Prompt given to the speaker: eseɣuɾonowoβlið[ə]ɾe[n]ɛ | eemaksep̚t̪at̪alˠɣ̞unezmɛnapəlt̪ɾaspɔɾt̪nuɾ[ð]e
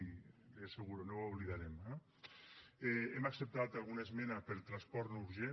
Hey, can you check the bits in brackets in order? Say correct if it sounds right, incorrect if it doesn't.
incorrect, incorrect, incorrect

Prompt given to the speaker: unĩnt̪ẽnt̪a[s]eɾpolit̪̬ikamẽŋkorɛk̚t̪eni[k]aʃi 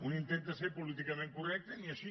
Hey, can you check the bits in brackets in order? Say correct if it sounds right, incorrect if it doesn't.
correct, incorrect

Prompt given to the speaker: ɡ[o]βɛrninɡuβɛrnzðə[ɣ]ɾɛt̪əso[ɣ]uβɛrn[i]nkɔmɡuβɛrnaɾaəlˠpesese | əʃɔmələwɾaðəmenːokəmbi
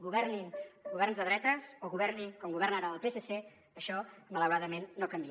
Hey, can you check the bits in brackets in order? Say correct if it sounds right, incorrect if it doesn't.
incorrect, incorrect, correct, correct

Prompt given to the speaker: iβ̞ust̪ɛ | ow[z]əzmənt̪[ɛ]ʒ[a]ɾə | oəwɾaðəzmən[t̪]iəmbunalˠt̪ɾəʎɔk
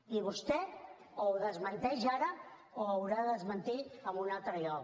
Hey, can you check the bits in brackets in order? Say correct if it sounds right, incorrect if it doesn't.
incorrect, correct, correct, correct

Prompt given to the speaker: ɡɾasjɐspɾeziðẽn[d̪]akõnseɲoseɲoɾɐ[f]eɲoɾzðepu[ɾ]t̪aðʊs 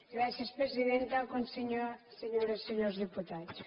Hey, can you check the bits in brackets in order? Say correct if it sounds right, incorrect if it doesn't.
incorrect, incorrect, incorrect

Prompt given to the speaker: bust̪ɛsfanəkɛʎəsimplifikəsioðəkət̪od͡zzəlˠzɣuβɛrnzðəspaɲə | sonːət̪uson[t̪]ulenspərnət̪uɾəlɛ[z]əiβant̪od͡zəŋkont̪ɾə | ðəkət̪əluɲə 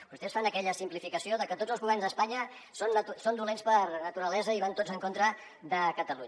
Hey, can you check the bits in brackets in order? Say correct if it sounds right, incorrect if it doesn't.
incorrect, correct

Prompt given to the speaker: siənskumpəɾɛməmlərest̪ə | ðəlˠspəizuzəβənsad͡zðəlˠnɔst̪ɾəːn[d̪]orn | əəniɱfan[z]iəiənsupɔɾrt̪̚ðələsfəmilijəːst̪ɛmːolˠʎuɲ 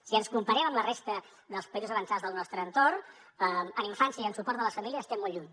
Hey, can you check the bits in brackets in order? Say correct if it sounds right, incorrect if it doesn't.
incorrect, incorrect

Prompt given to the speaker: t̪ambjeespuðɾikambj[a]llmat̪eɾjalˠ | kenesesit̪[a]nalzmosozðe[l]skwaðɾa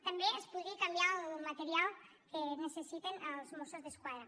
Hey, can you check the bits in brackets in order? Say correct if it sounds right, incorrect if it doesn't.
correct, incorrect, incorrect

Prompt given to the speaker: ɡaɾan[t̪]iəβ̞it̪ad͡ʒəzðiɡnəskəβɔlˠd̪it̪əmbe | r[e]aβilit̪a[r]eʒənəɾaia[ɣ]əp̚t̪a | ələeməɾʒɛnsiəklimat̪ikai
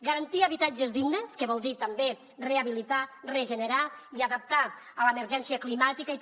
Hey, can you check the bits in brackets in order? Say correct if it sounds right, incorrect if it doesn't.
correct, correct, correct, incorrect

